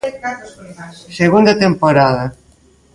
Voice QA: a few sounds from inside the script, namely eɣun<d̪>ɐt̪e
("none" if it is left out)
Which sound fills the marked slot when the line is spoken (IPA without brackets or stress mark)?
d̪